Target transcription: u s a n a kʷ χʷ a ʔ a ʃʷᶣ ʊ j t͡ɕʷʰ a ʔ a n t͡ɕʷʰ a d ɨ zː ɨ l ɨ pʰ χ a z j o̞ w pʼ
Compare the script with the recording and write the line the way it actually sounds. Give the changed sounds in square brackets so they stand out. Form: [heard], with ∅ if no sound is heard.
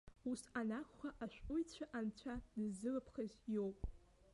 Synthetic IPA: u s a n a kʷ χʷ a ʔ a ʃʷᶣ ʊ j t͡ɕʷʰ a ʔ a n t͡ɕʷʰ a d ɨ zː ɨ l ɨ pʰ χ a z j o̞ w pʼ